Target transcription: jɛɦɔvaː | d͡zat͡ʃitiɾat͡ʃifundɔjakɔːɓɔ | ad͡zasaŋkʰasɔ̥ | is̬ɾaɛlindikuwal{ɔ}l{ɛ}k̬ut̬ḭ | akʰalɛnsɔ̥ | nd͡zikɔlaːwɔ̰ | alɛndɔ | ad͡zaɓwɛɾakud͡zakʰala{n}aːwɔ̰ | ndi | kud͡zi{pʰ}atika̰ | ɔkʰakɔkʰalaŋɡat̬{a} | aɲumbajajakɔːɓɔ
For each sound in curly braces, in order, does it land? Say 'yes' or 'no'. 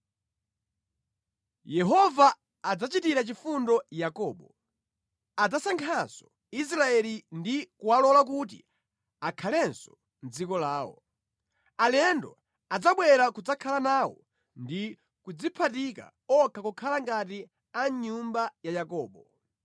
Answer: yes, no, yes, yes, no

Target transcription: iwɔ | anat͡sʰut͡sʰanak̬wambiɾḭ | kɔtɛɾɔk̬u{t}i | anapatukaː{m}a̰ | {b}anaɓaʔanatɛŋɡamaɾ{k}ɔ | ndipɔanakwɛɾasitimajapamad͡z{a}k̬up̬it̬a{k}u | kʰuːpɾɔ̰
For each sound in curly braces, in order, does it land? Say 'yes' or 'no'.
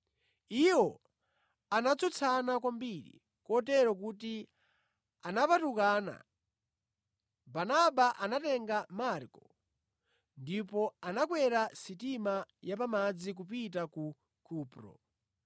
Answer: yes, no, yes, yes, no, yes

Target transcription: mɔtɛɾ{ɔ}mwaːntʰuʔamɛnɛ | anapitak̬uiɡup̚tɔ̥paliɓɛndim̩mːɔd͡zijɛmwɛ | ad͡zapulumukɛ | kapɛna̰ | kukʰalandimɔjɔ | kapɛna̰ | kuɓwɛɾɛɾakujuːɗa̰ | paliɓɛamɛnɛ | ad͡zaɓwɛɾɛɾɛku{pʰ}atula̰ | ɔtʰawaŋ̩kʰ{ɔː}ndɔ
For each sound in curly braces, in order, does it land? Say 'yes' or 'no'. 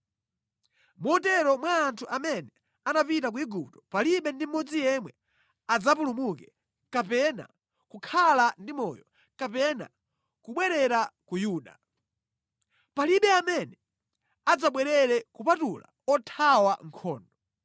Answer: yes, no, yes

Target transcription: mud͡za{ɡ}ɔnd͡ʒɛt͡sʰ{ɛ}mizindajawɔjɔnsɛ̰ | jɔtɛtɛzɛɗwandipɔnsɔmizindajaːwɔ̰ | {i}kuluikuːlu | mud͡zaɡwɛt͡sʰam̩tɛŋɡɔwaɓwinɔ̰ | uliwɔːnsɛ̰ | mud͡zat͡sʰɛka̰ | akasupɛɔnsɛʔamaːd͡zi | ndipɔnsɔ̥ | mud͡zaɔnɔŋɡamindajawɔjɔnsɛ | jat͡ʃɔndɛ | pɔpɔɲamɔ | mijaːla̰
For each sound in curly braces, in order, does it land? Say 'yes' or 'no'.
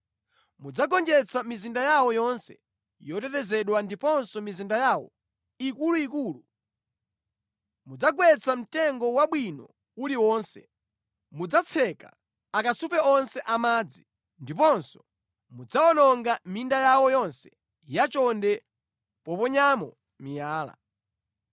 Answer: yes, no, yes

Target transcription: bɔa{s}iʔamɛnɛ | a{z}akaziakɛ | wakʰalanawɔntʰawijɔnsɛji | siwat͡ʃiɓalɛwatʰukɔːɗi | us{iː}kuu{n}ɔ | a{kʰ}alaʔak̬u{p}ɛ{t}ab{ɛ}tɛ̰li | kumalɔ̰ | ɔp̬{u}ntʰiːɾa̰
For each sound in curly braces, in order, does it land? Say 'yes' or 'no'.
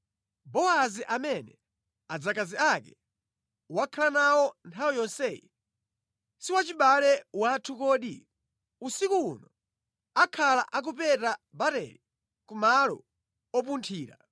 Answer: no, no, no, yes, yes, yes, yes, no, yes

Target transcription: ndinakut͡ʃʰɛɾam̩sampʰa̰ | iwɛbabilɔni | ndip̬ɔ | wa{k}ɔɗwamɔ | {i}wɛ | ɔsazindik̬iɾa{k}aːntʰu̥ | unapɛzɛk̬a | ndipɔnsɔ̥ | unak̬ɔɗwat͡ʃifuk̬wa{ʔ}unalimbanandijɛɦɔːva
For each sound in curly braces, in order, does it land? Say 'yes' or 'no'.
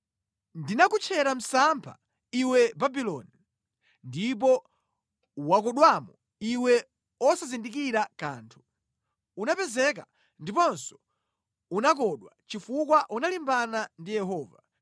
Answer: yes, yes, yes, yes

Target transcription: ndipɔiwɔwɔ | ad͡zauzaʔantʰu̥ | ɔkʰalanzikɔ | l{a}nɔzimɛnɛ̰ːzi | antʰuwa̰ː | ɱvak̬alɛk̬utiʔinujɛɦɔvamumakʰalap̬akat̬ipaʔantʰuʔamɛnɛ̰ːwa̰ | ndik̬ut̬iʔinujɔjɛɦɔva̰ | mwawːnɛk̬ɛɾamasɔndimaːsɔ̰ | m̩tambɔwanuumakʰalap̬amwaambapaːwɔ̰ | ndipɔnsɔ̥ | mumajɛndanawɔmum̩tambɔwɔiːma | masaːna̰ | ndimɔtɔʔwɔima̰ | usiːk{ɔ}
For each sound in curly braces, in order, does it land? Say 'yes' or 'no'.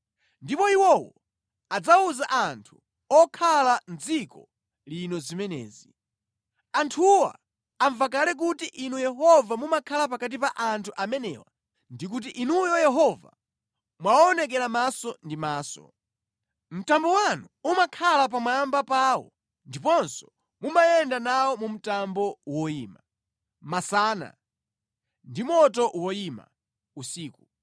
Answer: no, no

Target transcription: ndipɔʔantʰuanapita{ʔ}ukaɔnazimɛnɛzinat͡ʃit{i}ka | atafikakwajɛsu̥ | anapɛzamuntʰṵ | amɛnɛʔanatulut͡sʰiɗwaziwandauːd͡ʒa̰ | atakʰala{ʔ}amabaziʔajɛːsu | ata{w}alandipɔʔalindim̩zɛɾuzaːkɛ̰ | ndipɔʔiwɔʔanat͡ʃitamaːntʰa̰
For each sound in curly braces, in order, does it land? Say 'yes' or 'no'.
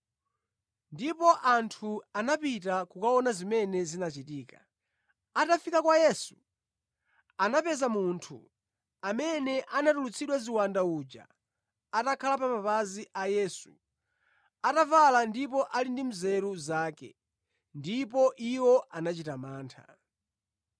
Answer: no, no, no, no

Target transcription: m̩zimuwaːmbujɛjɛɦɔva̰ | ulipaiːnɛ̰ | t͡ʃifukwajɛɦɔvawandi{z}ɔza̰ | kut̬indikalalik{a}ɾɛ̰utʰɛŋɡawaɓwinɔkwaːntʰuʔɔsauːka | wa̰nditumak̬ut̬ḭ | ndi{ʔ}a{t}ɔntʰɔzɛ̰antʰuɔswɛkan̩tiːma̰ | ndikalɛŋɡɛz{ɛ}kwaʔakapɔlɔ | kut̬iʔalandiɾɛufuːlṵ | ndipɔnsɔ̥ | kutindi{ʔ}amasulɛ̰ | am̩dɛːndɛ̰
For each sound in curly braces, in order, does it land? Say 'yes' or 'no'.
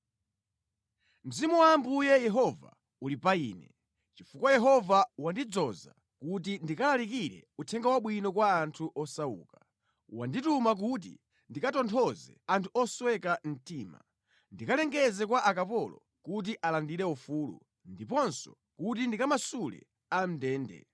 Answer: no, no, no, yes, yes, no

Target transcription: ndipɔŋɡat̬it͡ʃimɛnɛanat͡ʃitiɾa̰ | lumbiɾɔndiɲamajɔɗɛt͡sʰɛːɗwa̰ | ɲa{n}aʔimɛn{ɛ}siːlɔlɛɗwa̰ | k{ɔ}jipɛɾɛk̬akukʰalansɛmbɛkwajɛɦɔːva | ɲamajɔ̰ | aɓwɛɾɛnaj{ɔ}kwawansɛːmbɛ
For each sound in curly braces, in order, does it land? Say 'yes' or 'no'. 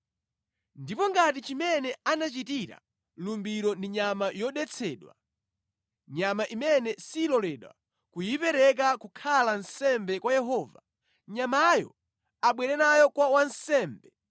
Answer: no, yes, no, yes

